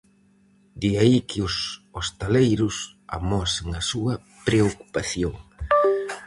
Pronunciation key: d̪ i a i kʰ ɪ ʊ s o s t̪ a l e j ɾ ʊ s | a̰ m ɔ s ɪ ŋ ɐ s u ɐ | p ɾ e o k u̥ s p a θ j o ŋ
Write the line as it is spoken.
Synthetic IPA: d̪ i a i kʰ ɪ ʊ s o s t̪ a l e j ɾ ʊ s | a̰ m ɔ s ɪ ŋ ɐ s u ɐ | p ɾ e o k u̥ p a θ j o ŋ